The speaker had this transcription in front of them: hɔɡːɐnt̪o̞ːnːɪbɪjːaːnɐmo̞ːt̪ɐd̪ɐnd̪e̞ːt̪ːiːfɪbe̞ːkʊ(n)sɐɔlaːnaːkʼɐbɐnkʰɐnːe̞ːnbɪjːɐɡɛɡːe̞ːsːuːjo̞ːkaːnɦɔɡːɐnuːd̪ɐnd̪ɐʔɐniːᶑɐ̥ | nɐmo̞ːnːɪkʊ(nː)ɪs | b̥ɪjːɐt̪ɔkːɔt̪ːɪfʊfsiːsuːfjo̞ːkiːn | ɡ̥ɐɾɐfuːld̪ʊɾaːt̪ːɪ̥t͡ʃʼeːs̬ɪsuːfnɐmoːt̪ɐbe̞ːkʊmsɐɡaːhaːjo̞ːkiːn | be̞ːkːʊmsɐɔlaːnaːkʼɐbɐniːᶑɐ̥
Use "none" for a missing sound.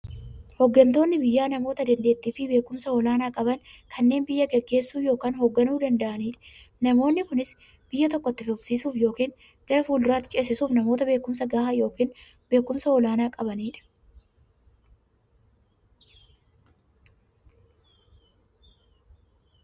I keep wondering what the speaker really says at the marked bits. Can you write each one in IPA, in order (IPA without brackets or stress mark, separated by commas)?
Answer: m, n